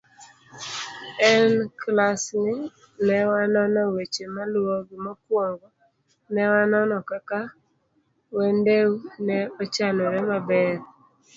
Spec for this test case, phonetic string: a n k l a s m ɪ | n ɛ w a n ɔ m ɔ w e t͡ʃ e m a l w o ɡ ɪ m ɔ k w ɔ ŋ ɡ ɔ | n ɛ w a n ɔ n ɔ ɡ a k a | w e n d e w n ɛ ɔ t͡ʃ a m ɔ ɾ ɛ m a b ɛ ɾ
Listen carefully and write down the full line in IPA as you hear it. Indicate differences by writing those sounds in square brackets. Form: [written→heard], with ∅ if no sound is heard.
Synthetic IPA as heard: [a→ɛ] n k l a s [m→n] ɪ | n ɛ w a n ɔ [m→n] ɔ w e t͡ʃ e m a l w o ɡ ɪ m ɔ k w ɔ ŋ ɡ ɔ | n ɛ w a n ɔ n ɔ [ɡ→k] a k a | w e n d e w n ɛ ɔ t͡ʃ a [m→n] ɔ ɾ ɛ m a b ɛ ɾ